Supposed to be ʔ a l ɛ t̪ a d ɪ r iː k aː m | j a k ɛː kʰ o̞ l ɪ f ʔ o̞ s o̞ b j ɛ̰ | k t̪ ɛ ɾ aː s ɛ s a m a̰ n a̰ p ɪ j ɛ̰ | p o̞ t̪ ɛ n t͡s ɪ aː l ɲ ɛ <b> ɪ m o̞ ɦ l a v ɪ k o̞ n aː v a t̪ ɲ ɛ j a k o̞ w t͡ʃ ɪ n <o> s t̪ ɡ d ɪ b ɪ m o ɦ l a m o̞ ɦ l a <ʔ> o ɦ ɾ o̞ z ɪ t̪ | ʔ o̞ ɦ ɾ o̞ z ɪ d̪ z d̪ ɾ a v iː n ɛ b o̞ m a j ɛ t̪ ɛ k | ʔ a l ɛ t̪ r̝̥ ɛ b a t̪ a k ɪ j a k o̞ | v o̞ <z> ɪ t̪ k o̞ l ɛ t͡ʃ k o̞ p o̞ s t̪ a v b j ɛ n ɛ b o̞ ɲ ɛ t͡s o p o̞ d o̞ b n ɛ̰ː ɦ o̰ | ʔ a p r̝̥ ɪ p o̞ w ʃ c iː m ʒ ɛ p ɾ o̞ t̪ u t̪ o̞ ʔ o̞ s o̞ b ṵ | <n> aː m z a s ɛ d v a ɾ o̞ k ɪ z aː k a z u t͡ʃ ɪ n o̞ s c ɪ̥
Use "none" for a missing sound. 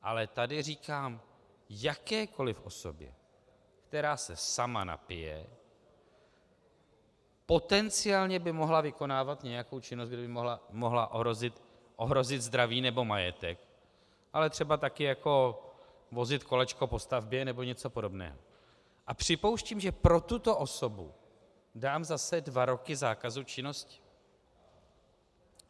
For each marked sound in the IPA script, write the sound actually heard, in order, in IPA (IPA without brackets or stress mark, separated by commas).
b, o, ʔ, z, d